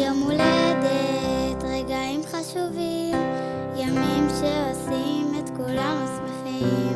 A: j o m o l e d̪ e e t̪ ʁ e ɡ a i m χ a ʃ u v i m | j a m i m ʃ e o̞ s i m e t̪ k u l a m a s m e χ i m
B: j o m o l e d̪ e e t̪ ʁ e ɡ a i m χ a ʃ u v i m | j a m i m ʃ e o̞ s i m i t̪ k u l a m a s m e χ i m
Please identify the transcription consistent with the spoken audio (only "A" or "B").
A